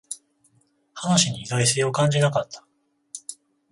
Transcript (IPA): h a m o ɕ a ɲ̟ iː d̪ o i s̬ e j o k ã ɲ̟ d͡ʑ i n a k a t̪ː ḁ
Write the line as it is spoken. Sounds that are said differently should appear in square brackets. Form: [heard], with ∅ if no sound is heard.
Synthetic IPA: h a [n] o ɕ [i] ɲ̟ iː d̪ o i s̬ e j o k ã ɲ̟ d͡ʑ i n a k a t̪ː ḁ